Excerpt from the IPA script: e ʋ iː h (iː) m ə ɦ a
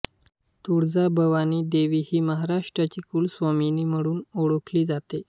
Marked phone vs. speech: correct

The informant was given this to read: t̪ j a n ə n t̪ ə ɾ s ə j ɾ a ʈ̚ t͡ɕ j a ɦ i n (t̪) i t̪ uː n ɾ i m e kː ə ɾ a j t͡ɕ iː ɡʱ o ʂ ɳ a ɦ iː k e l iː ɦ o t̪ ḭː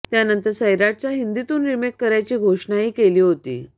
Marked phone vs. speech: incorrect: d̪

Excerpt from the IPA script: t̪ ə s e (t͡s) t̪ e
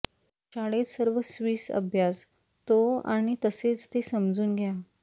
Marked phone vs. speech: correct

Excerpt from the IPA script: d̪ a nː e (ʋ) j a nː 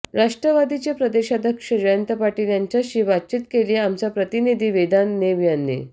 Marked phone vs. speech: correct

